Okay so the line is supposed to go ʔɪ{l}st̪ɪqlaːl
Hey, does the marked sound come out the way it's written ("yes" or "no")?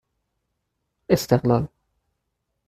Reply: no